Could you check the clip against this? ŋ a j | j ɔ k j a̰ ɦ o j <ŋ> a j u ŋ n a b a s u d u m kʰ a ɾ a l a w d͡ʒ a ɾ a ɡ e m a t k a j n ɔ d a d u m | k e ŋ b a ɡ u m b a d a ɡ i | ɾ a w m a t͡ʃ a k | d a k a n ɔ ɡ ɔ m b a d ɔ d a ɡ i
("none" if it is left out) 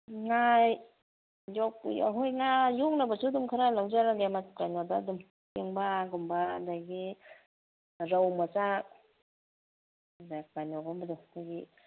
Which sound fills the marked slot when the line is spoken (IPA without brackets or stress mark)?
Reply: ŋ